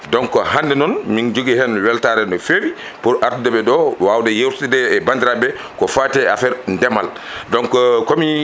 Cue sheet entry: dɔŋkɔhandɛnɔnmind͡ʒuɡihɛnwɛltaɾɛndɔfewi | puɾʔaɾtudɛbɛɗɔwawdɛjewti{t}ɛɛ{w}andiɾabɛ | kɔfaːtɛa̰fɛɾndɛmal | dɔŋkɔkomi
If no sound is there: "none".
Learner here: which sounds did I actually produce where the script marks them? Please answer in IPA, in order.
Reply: d, b

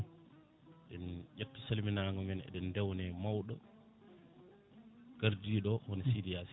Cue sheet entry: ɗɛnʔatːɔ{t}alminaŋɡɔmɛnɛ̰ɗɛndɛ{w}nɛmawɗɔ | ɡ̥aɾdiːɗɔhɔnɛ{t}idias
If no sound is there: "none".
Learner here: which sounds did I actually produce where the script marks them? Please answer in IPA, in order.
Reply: s, w, s

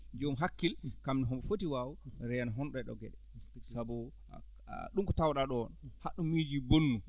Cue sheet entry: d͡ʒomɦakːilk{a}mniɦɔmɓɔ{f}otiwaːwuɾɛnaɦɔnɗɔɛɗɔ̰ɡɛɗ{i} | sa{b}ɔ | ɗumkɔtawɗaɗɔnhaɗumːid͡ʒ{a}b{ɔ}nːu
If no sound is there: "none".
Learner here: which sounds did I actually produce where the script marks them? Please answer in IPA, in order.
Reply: a, f, ɛ, b, i, o

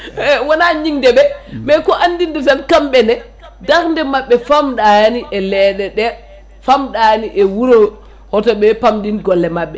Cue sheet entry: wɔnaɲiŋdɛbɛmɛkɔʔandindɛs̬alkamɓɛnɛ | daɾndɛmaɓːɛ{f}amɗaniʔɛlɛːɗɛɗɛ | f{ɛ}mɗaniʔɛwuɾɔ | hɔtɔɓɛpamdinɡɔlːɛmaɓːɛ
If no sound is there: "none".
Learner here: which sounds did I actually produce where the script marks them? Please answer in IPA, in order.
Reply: f, a

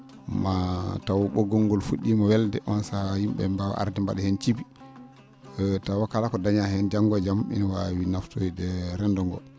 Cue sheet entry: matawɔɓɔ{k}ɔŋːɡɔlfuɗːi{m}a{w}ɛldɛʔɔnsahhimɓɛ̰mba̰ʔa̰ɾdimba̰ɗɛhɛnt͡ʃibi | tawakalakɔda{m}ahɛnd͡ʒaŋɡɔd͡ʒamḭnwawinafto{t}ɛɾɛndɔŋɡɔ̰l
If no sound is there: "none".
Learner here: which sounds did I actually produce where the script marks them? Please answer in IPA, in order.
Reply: ɡ, m, w, ɲ, d

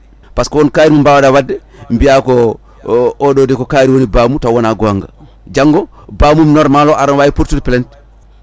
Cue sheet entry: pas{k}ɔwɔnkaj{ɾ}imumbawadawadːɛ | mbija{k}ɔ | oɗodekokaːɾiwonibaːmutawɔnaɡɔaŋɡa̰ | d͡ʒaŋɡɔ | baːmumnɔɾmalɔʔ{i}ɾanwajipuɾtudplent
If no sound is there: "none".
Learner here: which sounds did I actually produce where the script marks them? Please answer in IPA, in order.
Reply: k, ɾ, k, a

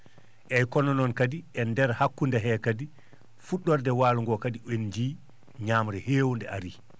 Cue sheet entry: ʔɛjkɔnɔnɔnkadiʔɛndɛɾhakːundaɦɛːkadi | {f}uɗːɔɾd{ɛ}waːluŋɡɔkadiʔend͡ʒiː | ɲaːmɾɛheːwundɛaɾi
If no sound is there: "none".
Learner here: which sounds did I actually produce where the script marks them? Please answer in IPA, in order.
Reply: f, ɛ

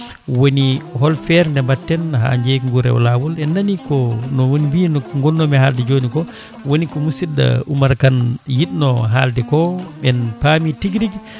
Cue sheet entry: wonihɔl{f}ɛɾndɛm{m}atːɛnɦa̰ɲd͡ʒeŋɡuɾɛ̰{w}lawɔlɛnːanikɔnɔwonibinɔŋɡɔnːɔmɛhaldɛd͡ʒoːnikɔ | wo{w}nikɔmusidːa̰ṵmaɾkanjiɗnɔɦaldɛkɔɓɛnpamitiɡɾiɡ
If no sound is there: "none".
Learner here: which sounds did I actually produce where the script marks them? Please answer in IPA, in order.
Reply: f, b, w, none

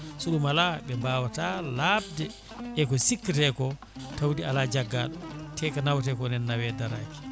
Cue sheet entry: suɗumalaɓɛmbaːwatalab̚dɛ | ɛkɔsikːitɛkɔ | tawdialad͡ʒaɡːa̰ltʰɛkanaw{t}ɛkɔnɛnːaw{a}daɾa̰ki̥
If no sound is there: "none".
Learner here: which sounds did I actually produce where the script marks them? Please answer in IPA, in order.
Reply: t, ɛ

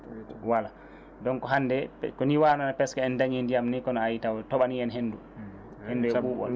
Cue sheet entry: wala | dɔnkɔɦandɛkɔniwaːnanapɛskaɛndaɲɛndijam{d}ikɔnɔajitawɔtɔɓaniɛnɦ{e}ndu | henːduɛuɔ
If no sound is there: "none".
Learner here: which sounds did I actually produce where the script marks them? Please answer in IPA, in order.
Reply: n, e

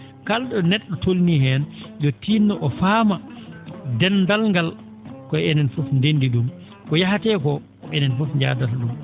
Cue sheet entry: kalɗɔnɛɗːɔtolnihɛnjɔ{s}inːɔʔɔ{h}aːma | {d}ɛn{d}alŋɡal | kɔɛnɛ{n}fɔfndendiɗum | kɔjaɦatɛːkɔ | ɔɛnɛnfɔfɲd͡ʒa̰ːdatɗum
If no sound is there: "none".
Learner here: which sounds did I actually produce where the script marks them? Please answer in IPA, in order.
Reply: t, f, d, d, n

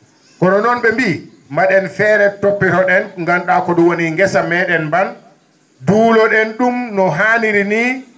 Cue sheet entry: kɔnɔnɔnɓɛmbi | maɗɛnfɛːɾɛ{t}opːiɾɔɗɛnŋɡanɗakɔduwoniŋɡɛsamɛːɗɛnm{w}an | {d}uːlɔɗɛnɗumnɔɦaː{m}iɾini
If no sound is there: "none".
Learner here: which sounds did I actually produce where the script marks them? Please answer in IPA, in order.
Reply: t, b, d, n

